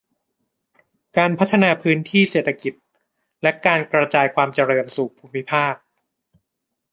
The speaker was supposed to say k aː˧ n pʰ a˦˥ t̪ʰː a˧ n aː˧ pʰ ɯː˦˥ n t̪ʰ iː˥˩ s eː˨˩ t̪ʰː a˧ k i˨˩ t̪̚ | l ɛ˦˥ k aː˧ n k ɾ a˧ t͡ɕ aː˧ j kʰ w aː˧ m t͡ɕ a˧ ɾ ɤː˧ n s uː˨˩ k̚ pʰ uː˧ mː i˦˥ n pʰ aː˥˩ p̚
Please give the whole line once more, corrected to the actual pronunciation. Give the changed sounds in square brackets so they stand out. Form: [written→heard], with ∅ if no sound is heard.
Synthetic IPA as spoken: k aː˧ n pʰ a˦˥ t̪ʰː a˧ n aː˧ pʰ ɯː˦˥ n t̪ʰ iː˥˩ s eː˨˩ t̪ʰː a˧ k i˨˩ t̪̚ | l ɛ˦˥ k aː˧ n k ɾ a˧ t͡ɕ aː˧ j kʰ w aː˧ m t͡ɕ a˧ ɾ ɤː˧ n s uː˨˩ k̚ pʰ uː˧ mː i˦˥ [n→∅] pʰ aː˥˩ [p̚→k̚]